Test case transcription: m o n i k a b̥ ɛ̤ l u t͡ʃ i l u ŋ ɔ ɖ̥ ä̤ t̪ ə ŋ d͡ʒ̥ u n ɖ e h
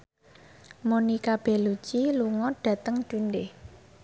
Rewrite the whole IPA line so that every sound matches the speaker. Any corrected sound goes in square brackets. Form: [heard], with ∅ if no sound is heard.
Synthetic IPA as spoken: m o n i k a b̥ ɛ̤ l u t͡ʃ i l u ŋ ɔ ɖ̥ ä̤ t̪ ə ŋ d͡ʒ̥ u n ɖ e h